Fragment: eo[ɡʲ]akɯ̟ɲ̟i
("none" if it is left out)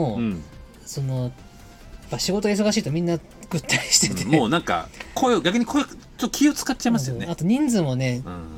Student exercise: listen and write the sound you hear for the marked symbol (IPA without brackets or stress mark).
ɡʲ